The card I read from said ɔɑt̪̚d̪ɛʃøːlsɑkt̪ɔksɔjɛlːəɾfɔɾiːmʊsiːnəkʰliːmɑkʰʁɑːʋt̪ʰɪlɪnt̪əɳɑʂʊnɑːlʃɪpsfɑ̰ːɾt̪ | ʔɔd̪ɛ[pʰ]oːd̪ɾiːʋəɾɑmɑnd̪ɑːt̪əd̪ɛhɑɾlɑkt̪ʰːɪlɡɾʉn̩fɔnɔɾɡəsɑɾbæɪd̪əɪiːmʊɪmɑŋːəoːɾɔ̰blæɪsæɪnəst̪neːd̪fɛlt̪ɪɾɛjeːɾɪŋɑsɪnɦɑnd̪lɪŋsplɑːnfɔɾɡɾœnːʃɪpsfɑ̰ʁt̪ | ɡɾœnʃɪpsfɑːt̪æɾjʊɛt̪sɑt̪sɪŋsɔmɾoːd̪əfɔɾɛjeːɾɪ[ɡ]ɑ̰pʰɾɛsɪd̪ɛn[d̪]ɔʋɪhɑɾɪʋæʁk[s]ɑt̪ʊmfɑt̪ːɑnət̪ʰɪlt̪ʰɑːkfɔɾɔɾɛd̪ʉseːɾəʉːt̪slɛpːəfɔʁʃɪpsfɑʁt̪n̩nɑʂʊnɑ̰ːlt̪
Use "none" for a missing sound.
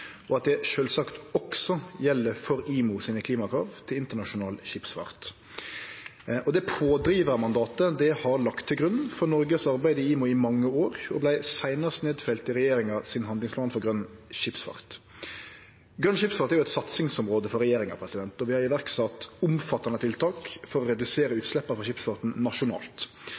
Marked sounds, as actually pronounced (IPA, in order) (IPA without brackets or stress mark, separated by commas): pʰ, ŋ, t̪, s